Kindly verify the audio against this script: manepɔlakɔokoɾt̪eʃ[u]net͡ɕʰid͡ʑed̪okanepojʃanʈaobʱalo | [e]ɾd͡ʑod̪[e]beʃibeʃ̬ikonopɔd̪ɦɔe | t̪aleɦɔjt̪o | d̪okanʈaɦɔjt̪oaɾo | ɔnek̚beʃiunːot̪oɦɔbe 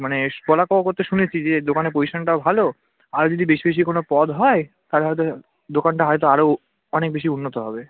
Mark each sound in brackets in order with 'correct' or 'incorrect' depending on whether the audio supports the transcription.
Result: correct, incorrect: a, incorrect: i

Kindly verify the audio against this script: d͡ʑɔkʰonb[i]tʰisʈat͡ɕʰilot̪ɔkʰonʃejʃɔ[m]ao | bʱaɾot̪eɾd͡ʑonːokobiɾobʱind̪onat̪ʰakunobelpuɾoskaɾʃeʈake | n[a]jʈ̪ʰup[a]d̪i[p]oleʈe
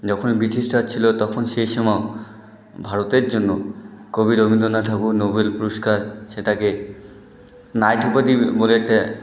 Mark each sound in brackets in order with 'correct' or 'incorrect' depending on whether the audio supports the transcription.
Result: correct, correct, correct, correct, incorrect: b

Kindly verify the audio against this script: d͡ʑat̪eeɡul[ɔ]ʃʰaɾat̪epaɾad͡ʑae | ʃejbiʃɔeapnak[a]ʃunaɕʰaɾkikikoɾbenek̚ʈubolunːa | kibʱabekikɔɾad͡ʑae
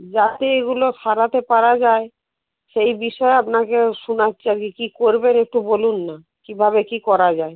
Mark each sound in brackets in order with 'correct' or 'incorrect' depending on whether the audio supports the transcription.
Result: incorrect: o, incorrect: e

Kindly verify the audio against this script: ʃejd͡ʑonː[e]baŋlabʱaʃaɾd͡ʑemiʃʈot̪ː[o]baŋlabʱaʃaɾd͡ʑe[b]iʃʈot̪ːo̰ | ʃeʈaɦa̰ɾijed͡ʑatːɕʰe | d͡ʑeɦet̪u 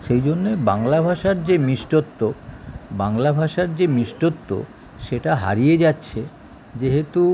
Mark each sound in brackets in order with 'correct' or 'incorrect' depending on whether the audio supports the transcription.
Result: correct, correct, incorrect: m

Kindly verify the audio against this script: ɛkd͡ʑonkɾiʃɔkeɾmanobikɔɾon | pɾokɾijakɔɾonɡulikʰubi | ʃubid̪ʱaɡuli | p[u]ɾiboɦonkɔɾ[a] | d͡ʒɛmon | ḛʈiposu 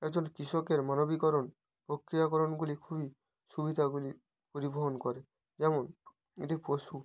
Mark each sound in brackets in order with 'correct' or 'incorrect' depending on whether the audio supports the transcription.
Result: incorrect: o, incorrect: e

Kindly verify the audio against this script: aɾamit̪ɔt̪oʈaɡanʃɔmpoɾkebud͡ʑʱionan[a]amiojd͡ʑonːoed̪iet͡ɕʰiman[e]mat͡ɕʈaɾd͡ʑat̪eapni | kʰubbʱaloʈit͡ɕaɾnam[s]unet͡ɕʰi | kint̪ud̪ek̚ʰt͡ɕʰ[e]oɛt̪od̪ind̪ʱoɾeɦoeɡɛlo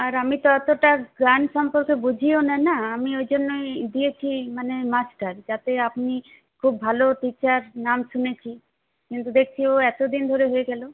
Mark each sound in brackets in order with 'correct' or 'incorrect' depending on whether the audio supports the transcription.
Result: correct, correct, incorrect: ʃ, incorrect: i

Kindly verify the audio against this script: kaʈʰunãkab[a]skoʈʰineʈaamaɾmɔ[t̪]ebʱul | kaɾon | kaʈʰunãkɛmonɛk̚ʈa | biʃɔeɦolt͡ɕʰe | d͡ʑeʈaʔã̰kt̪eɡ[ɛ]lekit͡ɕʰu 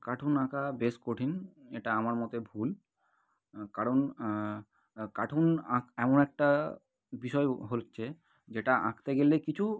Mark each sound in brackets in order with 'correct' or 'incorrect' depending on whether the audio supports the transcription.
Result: incorrect: e, correct, incorrect: e

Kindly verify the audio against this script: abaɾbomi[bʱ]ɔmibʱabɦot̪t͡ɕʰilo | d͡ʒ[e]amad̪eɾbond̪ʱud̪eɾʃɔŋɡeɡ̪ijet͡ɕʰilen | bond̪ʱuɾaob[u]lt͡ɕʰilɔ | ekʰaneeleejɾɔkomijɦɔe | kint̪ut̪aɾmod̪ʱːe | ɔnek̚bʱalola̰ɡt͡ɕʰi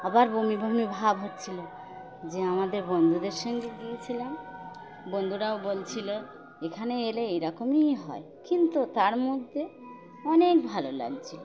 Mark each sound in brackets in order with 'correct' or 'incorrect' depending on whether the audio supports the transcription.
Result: correct, correct, incorrect: o

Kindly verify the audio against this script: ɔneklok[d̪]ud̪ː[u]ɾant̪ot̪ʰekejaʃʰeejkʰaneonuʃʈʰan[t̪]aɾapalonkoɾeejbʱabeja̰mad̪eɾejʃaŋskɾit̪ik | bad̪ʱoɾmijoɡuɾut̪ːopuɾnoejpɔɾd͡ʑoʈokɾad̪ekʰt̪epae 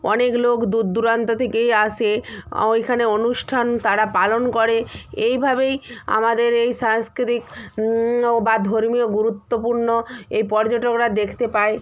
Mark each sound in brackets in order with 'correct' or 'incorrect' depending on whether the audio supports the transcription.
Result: correct, correct, correct

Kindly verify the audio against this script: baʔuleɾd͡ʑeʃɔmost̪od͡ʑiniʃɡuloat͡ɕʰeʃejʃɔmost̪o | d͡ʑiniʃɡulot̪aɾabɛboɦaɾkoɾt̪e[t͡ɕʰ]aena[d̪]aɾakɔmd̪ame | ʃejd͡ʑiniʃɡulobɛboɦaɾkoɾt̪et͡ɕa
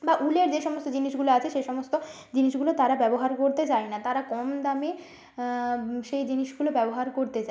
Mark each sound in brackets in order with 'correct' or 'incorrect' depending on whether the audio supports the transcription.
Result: incorrect: t͡ɕ, incorrect: t̪

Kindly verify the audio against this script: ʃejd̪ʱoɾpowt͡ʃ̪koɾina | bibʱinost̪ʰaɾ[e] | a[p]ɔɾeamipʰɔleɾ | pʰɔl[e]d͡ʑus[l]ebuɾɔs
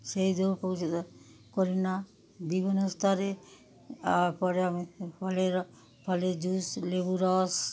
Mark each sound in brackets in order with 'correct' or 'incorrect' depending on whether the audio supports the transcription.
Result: correct, correct, correct, correct

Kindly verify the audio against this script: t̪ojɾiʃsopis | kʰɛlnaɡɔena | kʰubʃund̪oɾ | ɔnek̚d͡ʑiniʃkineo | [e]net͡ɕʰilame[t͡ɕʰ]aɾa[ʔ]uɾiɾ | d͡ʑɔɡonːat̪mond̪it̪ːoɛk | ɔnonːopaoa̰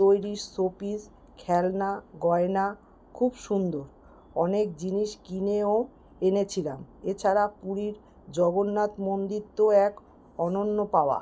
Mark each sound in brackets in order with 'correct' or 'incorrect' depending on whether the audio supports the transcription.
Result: correct, correct, incorrect: p

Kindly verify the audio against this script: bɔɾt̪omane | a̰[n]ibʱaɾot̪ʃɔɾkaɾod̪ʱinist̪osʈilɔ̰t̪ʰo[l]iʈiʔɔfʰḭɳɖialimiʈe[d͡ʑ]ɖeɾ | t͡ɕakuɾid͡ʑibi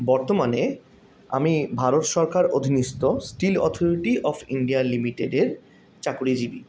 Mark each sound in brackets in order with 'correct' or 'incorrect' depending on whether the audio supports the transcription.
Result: incorrect: m, incorrect: ɾ, incorrect: none

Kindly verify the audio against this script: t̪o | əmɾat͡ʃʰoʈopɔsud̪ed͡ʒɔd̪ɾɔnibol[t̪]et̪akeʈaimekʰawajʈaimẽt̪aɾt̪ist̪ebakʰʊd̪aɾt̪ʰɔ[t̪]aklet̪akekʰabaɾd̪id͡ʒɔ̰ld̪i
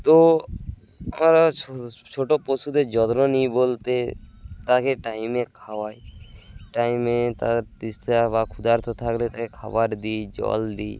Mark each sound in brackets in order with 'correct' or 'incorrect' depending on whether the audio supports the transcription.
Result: correct, incorrect: t̪ʰ

